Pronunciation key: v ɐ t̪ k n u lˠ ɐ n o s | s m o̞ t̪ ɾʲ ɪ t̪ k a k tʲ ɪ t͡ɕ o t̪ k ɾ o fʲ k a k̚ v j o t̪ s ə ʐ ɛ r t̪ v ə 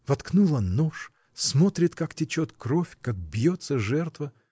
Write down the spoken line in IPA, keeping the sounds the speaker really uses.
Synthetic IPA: v ɐ t̪ k n u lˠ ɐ n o ʂ | s m o̞ t̪ ɾʲ ɪ t̪ k a k tʲ ɪ t͡ɕ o t̪ k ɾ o fʲ k a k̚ b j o t̪ s ə ʐ ɛ r t̪ v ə